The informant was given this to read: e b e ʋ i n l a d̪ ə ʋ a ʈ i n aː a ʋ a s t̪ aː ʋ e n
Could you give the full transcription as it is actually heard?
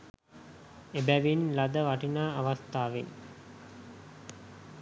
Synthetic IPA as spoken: e b æ ʋ i n l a d̪ ə ʋ a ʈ i n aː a ʋ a s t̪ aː ʋ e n